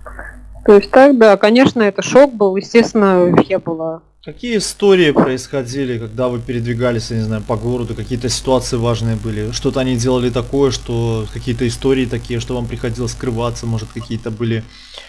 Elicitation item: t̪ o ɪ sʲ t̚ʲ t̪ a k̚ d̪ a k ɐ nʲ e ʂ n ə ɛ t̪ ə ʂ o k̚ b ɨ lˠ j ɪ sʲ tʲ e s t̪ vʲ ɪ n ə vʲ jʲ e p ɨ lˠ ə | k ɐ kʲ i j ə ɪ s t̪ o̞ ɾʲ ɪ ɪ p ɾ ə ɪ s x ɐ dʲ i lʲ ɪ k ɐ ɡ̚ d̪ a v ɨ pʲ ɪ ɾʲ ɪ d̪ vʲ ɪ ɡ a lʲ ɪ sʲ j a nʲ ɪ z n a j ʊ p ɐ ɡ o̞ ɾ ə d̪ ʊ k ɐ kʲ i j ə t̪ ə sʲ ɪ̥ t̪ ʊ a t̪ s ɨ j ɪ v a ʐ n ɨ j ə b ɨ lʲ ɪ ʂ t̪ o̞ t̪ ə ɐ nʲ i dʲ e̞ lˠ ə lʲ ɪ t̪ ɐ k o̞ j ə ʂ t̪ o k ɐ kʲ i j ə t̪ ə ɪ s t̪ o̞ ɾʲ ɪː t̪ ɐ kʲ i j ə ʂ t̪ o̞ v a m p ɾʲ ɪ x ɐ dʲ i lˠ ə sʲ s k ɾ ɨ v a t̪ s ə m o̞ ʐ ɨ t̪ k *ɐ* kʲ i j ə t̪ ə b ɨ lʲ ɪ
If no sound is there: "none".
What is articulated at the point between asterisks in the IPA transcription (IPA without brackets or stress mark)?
ɐ